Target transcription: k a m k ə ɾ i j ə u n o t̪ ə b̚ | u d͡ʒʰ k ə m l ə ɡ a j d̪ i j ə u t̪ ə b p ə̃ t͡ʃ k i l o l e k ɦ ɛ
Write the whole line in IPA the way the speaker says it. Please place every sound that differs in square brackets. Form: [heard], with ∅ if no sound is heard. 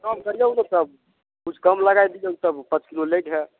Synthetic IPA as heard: k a m k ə ɾ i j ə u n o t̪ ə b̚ | u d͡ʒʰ k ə m l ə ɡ a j d̪ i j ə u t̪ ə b p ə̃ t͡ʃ k i l o l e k ɦ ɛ